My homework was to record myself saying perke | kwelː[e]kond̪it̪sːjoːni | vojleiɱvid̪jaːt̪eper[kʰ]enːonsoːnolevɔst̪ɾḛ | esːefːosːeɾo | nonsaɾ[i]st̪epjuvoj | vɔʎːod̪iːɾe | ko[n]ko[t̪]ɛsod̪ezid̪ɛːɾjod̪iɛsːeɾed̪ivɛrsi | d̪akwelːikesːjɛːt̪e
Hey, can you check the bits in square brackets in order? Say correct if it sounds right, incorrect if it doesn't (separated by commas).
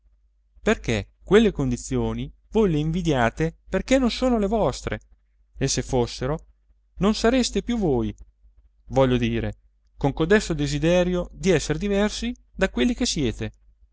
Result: correct, incorrect, incorrect, incorrect, incorrect